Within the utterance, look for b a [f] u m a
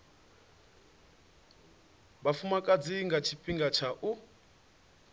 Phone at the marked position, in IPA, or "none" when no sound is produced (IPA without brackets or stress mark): f